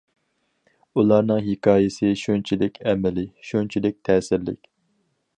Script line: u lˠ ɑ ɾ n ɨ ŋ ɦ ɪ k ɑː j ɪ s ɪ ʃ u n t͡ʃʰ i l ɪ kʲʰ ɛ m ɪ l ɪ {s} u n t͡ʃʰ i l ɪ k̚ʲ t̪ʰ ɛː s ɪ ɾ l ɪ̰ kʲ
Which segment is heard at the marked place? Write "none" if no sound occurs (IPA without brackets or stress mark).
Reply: ʃ